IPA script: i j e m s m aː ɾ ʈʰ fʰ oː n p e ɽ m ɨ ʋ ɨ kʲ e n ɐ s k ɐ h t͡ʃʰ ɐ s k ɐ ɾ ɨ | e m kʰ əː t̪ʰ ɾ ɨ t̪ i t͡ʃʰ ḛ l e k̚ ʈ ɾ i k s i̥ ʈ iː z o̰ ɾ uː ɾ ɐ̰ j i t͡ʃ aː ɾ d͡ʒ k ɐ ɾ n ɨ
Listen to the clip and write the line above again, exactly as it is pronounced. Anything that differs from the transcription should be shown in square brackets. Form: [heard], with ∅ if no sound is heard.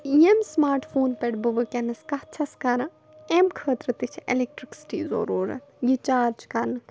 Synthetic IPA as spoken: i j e m s m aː ɾ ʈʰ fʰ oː n p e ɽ [b] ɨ ʋ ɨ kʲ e n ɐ s k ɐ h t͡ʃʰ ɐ s k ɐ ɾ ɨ | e m kʰ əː [t̪] ɾ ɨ t̪ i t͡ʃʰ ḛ l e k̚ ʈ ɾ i k s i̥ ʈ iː z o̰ ɾ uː ɾ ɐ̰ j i t͡ʃ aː ɾ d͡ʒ k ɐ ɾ n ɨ

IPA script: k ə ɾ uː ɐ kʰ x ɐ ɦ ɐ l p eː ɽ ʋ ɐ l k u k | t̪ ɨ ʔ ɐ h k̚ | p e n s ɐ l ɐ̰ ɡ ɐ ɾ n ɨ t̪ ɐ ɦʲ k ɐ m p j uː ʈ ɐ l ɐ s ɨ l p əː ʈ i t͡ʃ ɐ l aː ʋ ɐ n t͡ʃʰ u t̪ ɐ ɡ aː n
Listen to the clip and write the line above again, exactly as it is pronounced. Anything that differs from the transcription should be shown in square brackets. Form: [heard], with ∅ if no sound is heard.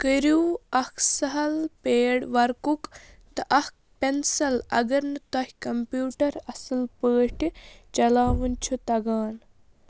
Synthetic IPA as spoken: k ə ɾ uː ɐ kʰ [s] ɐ ɦ ɐ l p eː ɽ ʋ ɐ [ɾ] k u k | t̪ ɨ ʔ ɐ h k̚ | p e n s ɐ l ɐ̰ ɡ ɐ ɾ n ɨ t̪ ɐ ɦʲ k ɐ m p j uː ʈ ɐ [ɾ] ɐ s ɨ l p əː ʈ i t͡ʃ ɐ l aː ʋ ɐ n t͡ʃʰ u t̪ ɐ ɡ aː n

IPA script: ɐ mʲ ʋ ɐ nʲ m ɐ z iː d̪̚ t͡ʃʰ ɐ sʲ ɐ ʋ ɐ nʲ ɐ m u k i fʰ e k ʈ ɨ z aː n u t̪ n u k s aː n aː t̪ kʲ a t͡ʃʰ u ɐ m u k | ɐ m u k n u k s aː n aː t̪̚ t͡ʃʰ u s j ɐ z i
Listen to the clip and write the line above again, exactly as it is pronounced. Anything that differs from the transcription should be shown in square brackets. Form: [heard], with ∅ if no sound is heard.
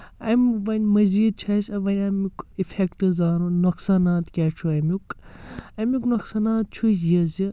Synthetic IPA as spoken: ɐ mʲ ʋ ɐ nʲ m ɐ z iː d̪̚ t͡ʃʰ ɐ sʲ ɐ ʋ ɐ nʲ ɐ m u k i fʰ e k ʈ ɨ z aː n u [∅] n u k s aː n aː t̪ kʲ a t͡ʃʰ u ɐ m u k | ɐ m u k n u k s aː n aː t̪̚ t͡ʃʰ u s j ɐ z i

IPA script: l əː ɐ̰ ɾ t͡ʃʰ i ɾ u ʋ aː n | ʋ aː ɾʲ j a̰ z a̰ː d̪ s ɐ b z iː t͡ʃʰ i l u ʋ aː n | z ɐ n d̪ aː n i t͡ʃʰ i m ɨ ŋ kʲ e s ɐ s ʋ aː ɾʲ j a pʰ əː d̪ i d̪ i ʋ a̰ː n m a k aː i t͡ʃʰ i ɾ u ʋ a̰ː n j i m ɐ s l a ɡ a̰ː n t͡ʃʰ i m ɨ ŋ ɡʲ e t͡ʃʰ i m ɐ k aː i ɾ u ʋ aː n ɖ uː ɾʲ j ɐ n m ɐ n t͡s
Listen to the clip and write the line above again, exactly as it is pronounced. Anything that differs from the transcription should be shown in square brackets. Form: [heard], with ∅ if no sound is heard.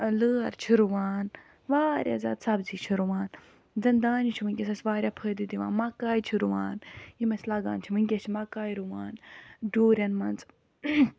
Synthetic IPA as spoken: l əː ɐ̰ ɾ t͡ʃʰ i ɾ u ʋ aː n | ʋ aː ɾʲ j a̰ z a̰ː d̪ s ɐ b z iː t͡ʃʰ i [ɾ] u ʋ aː n | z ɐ n d̪ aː n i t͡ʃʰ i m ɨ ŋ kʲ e s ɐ s ʋ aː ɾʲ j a pʰ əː d̪ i d̪ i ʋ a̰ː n m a k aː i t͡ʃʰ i ɾ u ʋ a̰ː n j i m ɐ s l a ɡ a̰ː n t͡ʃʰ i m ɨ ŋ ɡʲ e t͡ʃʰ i m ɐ k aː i ɾ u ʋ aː n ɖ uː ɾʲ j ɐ n m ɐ n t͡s

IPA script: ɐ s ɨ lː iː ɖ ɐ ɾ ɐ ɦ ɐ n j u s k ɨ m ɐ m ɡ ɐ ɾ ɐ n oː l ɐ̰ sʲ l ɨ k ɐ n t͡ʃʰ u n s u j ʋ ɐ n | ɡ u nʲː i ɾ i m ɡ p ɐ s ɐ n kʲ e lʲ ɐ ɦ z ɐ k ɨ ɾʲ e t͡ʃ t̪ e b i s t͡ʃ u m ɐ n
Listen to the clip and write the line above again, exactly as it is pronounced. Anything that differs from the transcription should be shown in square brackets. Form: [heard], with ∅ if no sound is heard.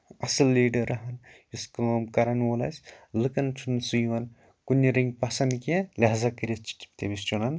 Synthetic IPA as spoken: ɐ s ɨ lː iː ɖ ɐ ɾ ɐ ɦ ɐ n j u s k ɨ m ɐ m [k] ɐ ɾ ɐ n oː l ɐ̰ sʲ l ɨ k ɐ n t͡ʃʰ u n s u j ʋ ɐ n | [k] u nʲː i ɾ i [ŋ] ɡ p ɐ s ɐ n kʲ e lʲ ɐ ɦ z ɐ k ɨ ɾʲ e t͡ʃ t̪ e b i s t͡ʃ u [n] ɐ n

